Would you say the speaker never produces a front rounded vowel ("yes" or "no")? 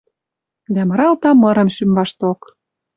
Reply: no